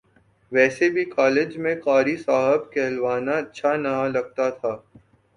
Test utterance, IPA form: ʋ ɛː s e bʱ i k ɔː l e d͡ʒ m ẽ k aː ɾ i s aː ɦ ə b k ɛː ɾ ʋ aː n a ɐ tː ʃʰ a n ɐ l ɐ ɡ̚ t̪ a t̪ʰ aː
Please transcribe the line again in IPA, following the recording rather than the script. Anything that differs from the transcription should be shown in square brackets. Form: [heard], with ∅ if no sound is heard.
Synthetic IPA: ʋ ɛː s e bʱ i k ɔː l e d͡ʒ m ẽ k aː ɾ i s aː ɦ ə b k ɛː [l] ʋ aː n a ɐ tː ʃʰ a n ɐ l ɐ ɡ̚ t̪ a t̪ʰ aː